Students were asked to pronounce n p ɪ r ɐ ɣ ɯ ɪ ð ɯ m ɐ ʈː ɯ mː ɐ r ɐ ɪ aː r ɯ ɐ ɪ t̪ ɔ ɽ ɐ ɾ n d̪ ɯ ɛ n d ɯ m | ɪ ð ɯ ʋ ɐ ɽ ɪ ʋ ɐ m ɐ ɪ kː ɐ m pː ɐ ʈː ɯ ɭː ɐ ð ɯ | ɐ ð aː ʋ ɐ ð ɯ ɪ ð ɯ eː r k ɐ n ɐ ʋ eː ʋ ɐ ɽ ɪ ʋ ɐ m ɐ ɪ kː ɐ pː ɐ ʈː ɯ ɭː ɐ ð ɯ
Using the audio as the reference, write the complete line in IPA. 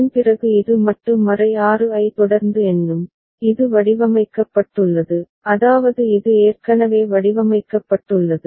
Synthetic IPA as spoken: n p ɪ r ɐ ɣ ɯ ɪ ð ɯ m ɐ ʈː ɯ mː ɐ r ɐ ɪ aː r ɯ ɐ ɪ t̪ ɔ ɽ ɐ ɾ n d̪ ɯ ɛ n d ɯ m | ɪ ð ɯ ʋ ɐ ɽ ɪ ʋ ɐ m ɐ ɪ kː ɐ pː ɐ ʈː ɯ ɭː ɐ ð ɯ | ɐ ð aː ʋ ɐ ð ɯ ɪ ð ɯ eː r k ɐ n ɐ ʋ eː ʋ ɐ ɽ ɪ ʋ ɐ m ɐ ɪ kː ɐ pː ɐ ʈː ɯ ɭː ɐ ð ɯ